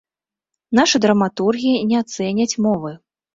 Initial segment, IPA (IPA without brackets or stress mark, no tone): n̪